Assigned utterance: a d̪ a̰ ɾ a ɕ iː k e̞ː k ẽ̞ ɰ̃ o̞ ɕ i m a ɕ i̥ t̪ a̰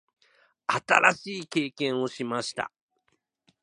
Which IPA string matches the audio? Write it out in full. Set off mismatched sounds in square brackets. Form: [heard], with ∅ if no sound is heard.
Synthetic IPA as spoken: a [t̪] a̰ ɾ a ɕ iː k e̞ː k ẽ̞ ɰ̃ o̞ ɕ i m a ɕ i̥ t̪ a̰